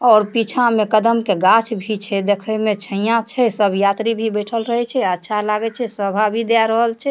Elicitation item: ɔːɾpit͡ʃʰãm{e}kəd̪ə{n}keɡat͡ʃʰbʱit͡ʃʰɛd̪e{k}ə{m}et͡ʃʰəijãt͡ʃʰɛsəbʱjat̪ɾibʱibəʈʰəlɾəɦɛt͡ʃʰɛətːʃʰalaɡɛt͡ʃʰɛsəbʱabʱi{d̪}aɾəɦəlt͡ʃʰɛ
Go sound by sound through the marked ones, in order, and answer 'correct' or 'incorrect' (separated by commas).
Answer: correct, incorrect, incorrect, correct, correct